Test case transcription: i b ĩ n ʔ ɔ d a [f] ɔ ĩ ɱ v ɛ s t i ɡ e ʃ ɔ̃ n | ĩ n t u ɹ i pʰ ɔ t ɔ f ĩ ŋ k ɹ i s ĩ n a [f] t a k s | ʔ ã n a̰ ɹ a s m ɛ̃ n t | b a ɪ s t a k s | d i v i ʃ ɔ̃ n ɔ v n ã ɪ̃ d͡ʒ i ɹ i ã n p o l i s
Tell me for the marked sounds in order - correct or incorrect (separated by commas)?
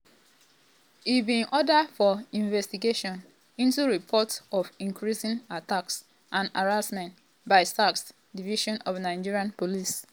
correct, incorrect